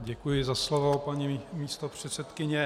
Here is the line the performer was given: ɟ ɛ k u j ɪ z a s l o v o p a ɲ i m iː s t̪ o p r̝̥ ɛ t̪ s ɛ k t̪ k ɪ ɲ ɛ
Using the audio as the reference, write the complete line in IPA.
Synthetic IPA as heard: ɟ ɛ k u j ɪ z a s l o v o p a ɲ i m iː s t̪ o p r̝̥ ɛ t̪ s ɛ t̪ k ɪ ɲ ɛ